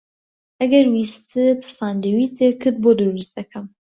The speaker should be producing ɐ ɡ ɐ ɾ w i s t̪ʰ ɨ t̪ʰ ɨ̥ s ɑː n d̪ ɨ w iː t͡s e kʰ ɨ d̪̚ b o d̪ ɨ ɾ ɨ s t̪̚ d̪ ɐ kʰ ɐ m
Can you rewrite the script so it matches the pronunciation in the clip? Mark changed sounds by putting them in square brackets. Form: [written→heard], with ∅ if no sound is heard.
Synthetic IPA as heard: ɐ ɡ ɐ ɾ w i s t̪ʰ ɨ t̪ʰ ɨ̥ s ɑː n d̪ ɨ w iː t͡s e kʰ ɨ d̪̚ b o d̪ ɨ ɾ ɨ s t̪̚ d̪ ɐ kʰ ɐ m